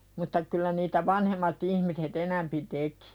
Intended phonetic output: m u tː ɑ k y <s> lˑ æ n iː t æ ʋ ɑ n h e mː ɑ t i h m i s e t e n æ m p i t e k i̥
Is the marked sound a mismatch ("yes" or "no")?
yes